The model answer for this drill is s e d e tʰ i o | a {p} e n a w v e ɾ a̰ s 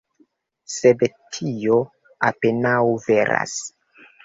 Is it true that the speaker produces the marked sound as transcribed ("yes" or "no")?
yes